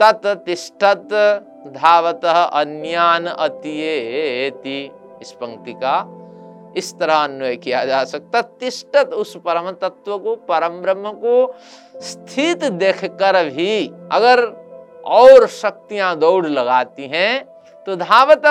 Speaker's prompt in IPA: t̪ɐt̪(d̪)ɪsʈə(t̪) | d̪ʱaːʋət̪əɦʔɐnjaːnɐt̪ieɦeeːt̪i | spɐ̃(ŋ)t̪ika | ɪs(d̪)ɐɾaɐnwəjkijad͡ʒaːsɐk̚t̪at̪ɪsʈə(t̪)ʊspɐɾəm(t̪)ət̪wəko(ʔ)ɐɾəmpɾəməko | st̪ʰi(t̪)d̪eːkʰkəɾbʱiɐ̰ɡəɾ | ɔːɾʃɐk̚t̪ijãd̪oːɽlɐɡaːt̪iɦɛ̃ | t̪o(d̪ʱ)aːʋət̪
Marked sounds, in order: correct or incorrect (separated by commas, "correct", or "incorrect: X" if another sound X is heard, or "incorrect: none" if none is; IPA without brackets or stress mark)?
incorrect: t̪, correct, correct, incorrect: t̪, correct, correct, incorrect: p, correct, correct